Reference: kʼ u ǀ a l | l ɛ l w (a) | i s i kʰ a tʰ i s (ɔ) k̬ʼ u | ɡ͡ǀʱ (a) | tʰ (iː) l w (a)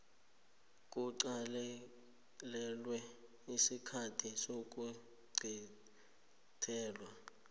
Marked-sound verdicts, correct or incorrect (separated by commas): incorrect, incorrect, incorrect, incorrect, correct